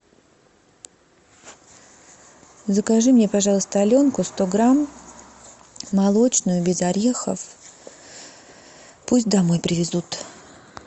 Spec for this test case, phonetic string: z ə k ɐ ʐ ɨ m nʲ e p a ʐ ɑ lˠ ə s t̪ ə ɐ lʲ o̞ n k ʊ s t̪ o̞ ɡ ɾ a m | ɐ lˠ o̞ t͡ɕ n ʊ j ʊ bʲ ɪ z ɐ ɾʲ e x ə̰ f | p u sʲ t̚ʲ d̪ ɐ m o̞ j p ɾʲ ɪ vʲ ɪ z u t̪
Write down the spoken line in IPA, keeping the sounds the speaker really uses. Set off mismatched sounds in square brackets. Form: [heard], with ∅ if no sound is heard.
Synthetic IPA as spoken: z ə k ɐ ʐ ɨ m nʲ e p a ʐ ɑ lˠ ə s t̪ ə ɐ lʲ o̞ n k ʊ s t̪ o̞ ɡ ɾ a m | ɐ lˠ o̞ t͡ɕ n ʊ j ʊ bʲ ɪ z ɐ ɾʲ e x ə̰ f | p u sʲ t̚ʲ d̪ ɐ m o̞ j p ɾʲ ɪ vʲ ɪ z u t̪